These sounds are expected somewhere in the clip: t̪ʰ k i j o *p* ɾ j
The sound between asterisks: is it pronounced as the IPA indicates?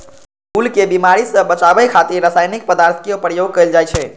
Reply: yes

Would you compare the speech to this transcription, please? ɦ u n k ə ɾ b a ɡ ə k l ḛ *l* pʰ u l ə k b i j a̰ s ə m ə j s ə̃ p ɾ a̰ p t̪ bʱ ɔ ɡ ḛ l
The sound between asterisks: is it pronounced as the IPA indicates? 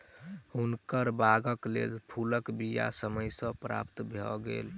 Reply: yes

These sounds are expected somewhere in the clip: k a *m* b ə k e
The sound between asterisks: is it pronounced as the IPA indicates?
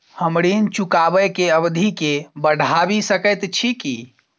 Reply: no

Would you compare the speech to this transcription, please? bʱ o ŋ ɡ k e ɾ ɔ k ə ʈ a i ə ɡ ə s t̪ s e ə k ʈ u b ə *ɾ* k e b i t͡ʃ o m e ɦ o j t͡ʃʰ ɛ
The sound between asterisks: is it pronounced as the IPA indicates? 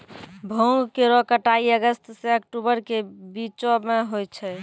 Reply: yes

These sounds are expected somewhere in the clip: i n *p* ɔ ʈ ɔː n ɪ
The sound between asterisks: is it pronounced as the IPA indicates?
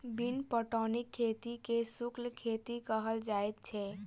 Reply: yes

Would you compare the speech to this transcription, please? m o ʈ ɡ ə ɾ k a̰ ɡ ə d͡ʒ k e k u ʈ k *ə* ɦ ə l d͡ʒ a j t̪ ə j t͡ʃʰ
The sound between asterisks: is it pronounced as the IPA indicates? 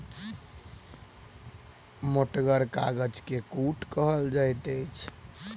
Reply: yes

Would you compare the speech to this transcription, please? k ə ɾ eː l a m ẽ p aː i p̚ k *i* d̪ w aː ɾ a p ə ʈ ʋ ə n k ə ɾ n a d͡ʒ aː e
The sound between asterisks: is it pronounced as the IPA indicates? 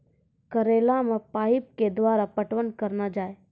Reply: no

